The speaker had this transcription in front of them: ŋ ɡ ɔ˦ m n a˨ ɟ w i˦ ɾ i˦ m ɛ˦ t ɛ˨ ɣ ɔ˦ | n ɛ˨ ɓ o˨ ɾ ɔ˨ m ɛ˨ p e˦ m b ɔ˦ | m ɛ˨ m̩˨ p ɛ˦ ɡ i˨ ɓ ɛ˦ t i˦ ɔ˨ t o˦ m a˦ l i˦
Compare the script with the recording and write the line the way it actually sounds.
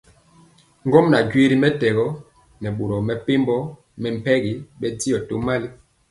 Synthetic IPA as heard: ŋ ɡ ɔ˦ m n a˨ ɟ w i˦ ɾ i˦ m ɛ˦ t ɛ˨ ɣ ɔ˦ | n ɛ˨ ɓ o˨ ɾ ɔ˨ m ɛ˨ p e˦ m b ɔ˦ | m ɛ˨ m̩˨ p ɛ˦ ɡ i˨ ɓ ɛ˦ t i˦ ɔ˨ t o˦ m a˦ l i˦